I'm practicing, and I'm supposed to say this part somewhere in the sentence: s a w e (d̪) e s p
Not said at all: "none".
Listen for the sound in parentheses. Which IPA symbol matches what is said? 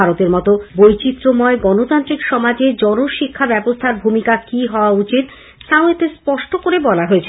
t̪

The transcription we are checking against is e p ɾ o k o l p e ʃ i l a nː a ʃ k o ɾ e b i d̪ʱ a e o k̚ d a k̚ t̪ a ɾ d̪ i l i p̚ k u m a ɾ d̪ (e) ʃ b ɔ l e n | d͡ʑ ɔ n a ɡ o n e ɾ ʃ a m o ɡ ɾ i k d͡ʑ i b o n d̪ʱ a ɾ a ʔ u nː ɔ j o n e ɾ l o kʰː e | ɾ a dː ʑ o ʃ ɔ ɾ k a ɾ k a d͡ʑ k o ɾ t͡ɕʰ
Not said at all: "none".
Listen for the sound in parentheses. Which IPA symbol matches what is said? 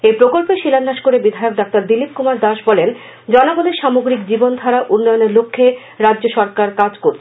a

